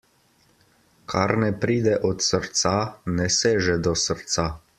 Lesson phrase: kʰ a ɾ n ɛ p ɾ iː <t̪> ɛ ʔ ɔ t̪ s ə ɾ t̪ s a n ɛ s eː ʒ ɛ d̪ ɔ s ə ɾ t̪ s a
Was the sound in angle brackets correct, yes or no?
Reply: no